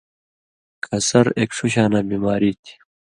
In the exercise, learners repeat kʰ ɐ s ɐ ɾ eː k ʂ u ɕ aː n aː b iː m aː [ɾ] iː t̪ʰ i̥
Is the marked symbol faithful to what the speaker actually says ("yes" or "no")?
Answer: yes